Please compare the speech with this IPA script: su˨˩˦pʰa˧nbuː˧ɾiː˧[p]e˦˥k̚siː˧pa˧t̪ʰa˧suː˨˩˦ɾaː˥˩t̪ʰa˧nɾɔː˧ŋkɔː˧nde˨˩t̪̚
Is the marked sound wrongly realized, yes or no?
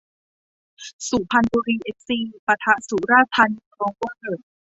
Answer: yes